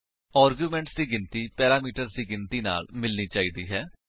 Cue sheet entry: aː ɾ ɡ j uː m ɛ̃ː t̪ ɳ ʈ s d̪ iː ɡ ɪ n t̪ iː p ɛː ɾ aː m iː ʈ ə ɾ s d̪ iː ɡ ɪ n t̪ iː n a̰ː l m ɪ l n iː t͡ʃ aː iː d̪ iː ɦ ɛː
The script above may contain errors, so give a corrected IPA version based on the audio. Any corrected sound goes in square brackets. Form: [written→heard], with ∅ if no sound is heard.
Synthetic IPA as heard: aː ɾ ɡ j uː m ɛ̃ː [t̪→∅] ɳ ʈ s d̪ iː ɡ ɪ n t̪ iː p ɛː ɾ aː m iː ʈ ə ɾ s d̪ iː ɡ ɪ n t̪ iː n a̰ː l m ɪ l n iː t͡ʃ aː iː d̪ iː ɦ ɛː